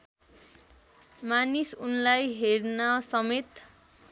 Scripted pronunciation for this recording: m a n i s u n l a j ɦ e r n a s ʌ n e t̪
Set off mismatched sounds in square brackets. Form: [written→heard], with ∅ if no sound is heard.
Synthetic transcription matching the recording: m a n i s u n l a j ɦ e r n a s ʌ [n→m] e t̪